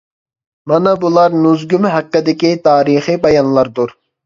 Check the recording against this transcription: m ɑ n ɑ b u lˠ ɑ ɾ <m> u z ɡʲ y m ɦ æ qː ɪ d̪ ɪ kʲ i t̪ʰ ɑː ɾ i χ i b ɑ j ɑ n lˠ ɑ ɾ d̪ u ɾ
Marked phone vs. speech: incorrect: n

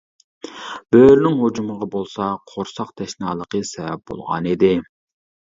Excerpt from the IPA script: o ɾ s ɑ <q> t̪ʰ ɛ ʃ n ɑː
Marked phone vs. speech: correct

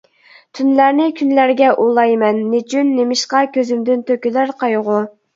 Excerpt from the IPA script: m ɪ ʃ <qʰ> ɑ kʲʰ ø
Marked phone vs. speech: incorrect: q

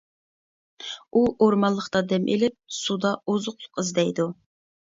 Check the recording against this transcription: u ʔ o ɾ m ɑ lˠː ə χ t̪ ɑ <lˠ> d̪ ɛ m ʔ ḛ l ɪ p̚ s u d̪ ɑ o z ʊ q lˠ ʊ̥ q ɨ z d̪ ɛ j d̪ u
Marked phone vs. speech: incorrect: none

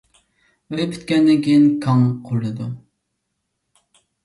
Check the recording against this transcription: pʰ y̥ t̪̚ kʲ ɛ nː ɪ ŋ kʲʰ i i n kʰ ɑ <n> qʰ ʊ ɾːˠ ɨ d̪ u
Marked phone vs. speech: incorrect: ŋ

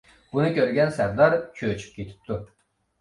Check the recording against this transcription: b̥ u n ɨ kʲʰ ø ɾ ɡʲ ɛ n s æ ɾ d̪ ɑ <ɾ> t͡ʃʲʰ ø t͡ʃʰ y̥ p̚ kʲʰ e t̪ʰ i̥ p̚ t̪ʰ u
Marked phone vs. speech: correct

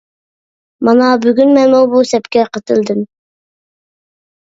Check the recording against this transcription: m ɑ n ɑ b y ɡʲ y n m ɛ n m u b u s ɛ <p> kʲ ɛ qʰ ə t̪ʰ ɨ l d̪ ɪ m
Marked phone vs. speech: correct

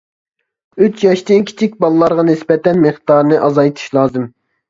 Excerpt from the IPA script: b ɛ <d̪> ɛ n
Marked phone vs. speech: incorrect: t̪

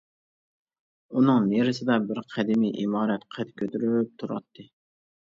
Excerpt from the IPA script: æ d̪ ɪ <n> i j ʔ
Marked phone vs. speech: incorrect: m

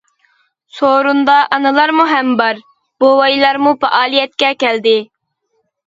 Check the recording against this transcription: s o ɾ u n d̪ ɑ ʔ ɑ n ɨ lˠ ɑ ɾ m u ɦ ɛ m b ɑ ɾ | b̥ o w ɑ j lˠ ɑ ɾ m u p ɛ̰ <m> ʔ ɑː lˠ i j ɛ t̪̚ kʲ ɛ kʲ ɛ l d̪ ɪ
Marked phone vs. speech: incorrect: none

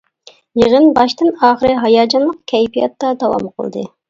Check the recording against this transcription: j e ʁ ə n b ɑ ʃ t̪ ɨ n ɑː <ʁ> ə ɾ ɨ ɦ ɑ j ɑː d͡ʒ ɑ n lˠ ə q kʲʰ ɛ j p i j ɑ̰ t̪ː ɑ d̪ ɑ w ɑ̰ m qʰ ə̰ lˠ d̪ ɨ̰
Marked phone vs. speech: incorrect: χ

